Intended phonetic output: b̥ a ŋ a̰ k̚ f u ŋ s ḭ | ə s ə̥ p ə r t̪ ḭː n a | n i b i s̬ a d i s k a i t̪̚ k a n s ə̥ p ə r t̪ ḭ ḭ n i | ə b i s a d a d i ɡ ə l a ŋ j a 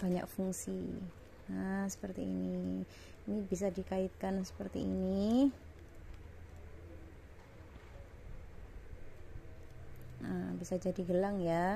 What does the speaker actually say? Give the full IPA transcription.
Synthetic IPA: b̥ a ɲ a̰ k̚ f u ŋ s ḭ | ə s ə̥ p ə r t̪ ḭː n i | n i b i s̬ a d i k a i t̪̚ k a n s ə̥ p ə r t̪ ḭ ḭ n i | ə b i s a d͡ʒ a d i ɡ ə l a ŋ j a